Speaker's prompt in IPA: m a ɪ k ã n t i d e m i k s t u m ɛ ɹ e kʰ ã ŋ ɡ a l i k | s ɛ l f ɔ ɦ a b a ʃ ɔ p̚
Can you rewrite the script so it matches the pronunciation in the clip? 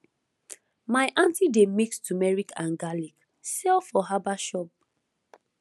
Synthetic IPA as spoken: m a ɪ ʔ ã n t i d e m i k s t u m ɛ ɹ i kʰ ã n ɡ a l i k | s ɛ l f ɔ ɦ a b a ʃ ɔ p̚